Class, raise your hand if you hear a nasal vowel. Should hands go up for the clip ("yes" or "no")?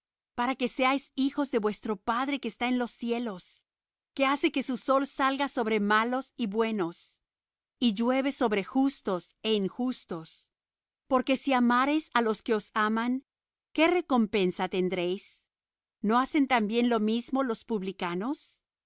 no